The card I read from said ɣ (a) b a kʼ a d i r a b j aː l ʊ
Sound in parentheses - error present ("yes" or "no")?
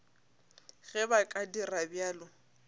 yes